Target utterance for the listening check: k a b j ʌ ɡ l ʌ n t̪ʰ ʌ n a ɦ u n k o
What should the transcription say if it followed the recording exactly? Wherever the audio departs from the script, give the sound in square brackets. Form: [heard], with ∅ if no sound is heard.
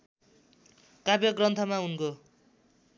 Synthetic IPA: k a b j ʌ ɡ [r] ʌ n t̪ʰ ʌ [m] a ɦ u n k o